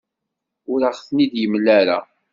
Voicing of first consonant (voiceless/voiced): voiced